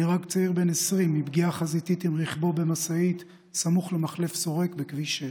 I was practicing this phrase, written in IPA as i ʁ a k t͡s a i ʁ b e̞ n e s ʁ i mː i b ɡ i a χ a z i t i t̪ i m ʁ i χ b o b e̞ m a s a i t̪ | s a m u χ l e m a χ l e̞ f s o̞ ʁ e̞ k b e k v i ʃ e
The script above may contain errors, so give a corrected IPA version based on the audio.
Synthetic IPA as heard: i ʁ a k t͡s a i ʁ b e̞ n e s ʁ i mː i b ɡ i a χ a z i t i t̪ i m ʁ i χ b o b e̞ m a s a i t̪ | s a m u χ l e m a χ l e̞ f s o̞ ʁ e̞ k b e k v i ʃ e